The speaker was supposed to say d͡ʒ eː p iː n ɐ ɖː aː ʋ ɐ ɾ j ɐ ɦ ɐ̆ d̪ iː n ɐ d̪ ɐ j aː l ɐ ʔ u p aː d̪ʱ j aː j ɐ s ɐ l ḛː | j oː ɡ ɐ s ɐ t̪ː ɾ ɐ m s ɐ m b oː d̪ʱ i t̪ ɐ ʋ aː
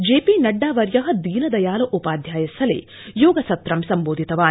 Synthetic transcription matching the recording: d͡ʒ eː p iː n ɐ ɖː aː ʋ ɐ ɾ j ɐ ɦ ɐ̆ d̪ iː n ɐ d̪ ɐ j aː l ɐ ʔ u p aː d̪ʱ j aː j ɐ s ɐ l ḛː | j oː ɡ ɐ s ɐ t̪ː ɾ ɐ m s ɐ m b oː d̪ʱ i t̪ ɐ ʋ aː